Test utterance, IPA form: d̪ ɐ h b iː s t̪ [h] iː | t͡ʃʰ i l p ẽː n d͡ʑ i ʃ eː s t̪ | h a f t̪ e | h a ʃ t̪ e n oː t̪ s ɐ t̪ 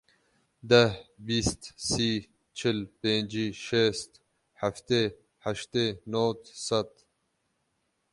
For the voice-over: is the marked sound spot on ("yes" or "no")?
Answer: no